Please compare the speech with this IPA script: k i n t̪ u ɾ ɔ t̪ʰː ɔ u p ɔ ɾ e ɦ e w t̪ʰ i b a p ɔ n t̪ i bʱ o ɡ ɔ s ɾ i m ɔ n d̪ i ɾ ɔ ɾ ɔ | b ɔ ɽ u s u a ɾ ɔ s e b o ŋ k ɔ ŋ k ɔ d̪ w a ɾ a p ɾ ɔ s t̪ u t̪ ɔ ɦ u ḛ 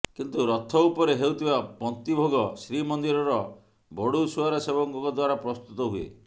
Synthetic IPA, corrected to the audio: k i n t̪ u ɾ ɔ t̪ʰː ɔ u p ɔ ɾ e ɦ e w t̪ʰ i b a p ɔ n t̪ i bʱ o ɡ ɔ s ɾ i m ɔ n d̪ i ɾ ɔ ɾ ɔ | b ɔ ɽ u s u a ɾ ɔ s e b ɔ ŋ k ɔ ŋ k ɔ d̪ w a ɾ a p ɾ ɔ s t̪ u t̪ ɔ ɦ u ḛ